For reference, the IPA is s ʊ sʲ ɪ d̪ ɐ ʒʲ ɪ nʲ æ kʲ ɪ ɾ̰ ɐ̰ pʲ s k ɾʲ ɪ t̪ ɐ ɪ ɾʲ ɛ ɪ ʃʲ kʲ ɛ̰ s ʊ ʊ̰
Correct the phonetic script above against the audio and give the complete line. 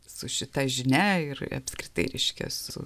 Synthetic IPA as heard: s ʊ ʃʲ ɪ t̪ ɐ ʒʲ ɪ nʲ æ ɪ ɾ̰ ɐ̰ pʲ s k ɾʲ ɪ t̪ ɐ ɪ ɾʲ ɛ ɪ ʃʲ kʲ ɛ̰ s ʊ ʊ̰